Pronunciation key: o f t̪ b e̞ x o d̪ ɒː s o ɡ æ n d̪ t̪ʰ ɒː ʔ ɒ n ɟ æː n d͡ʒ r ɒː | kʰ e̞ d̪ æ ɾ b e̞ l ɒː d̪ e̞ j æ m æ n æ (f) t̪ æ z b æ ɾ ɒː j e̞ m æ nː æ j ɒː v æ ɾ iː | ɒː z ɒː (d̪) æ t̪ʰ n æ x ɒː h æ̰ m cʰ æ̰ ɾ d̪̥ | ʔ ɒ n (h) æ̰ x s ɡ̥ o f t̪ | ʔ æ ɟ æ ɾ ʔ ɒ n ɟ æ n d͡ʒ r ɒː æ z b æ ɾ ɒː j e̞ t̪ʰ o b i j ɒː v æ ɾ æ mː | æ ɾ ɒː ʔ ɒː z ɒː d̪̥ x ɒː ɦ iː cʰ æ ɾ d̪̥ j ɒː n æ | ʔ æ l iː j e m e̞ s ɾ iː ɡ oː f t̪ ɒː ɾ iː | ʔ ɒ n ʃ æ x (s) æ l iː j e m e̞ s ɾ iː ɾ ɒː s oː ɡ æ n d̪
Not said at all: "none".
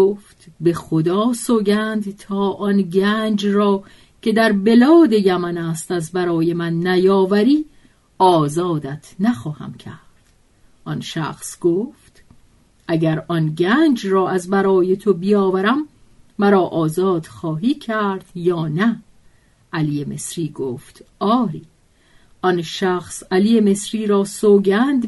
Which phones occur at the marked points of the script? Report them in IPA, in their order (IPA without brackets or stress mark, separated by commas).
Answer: s, d̪, ʃ, s